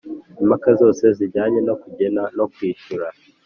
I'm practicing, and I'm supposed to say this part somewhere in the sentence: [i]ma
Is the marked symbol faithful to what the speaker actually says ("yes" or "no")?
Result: yes